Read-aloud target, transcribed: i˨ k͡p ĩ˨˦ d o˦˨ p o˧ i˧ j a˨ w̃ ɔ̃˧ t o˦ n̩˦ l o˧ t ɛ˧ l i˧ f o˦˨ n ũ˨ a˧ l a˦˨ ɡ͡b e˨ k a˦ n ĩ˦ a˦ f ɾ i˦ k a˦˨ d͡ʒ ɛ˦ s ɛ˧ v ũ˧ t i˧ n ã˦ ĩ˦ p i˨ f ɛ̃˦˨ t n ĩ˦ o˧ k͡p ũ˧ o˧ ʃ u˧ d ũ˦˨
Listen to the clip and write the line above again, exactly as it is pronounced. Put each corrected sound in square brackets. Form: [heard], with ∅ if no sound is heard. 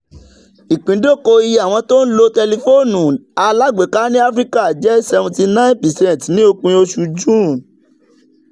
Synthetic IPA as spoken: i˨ k͡p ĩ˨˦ d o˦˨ [k] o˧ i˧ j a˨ w̃ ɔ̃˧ t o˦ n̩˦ l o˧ t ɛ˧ l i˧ f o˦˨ n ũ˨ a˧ l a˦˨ ɡ͡b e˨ k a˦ n ĩ˦ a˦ f ɾ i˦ k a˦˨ d͡ʒ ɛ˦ s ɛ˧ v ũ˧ t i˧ n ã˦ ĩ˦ p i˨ [s] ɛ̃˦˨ t n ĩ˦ o˧ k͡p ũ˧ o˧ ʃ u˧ [d͡ʒ] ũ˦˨